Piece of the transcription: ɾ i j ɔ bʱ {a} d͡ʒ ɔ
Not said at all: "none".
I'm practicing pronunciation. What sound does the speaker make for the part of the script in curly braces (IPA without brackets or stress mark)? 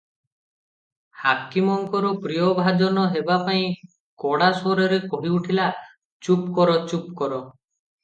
a